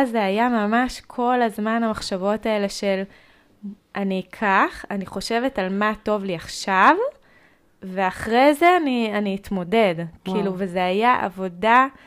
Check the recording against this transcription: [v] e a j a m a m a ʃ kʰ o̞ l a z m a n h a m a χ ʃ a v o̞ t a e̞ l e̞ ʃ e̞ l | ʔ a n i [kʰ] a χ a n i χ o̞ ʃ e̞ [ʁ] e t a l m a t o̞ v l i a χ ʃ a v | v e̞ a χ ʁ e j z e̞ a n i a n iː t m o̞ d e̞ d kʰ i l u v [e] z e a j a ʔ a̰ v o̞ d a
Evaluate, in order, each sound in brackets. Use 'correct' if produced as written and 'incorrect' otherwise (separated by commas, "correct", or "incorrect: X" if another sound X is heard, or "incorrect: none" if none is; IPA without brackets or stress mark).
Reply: incorrect: z, correct, incorrect: v, correct